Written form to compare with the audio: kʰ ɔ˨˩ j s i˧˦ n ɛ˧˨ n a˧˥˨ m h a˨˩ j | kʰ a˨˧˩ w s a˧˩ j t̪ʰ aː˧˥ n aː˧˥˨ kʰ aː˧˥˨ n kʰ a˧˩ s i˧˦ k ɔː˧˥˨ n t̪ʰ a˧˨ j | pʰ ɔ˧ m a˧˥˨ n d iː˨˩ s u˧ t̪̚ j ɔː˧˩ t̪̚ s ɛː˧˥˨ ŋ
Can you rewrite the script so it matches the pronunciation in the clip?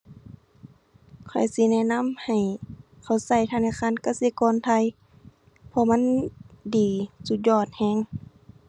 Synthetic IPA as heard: kʰ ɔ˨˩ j s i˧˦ n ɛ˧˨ n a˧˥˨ m h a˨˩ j | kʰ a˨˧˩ w s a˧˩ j t̪ʰ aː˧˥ n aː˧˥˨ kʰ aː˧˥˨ n k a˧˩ s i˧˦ k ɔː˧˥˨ n t̪ʰ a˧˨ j | pʰ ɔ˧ m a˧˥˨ n d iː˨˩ s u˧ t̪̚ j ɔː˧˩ t̪̚ h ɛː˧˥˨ ŋ